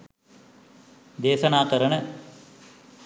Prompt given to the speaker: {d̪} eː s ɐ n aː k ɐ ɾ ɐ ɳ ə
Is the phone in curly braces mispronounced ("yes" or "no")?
no